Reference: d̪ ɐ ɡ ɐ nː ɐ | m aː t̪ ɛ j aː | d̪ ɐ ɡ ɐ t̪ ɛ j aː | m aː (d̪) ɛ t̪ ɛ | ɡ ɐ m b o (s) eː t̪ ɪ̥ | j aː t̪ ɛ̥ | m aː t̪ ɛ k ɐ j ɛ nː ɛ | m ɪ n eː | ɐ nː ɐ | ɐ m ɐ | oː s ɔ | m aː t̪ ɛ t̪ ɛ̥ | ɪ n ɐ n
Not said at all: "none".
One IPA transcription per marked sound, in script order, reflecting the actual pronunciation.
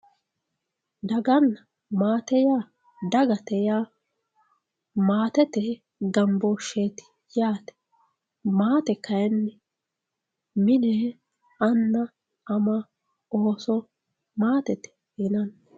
t̪, ʃ

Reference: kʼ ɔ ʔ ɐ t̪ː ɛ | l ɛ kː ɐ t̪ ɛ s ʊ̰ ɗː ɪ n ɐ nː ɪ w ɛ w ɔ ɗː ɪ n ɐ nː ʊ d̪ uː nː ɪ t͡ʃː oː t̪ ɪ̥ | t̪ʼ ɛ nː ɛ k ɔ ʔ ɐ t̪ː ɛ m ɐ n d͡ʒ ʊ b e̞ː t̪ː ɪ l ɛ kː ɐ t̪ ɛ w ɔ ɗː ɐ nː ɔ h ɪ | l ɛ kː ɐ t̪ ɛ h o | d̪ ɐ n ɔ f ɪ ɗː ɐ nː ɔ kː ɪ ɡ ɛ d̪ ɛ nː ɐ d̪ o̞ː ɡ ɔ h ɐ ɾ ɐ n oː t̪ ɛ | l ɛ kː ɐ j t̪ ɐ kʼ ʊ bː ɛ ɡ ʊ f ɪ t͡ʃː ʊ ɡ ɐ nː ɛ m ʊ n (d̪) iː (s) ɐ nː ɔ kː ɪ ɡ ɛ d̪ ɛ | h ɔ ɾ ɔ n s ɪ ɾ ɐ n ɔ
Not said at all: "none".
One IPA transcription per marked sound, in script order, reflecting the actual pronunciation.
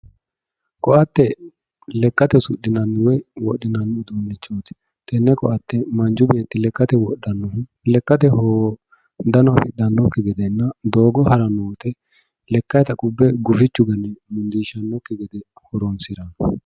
d̪, ʃ

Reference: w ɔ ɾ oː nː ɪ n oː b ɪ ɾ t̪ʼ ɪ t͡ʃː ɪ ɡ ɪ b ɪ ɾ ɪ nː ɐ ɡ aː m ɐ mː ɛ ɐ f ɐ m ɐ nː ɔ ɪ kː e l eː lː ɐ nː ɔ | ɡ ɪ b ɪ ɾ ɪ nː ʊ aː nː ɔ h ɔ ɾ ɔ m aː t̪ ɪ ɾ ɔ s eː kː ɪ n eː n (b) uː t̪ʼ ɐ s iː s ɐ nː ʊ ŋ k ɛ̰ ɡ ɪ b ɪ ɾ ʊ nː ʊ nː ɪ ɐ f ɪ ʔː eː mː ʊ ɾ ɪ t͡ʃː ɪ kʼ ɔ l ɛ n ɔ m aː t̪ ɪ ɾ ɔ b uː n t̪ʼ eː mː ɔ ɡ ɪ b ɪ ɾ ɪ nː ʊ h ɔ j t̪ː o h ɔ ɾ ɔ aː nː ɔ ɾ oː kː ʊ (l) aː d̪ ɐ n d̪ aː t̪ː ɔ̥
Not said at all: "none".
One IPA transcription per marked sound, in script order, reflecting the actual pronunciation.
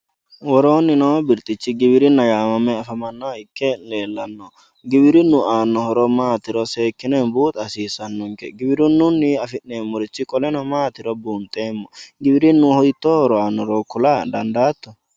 b, l

